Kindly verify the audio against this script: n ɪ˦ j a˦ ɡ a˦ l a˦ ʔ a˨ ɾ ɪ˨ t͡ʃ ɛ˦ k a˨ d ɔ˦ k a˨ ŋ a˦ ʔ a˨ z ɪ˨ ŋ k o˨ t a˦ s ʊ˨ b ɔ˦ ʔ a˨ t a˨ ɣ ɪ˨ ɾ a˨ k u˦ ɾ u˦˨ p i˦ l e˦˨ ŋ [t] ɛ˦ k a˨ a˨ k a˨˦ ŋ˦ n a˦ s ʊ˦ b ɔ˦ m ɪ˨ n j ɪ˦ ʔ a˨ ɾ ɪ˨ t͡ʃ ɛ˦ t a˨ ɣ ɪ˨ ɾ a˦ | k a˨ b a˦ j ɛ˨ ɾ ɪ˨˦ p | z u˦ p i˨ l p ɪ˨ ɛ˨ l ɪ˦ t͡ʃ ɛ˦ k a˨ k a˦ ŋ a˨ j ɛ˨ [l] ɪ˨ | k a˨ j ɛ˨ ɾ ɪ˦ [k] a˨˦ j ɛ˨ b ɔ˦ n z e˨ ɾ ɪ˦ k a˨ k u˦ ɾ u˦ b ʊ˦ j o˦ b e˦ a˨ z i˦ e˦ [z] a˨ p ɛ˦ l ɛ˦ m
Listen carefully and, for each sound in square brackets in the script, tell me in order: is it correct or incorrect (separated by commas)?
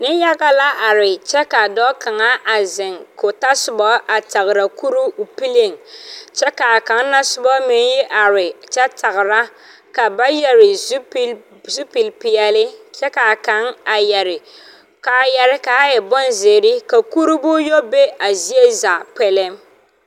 incorrect, incorrect, correct, correct